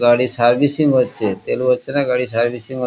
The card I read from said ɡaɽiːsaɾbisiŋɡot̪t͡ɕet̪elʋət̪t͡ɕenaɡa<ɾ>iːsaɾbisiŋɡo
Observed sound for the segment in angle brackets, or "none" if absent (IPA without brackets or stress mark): ɽ